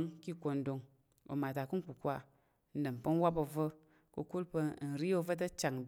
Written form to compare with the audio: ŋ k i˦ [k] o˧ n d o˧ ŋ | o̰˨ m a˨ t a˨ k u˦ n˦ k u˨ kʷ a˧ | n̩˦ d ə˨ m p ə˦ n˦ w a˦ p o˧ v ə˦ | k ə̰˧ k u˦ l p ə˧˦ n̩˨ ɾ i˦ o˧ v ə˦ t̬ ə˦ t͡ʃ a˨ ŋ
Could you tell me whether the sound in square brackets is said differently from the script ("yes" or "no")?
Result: no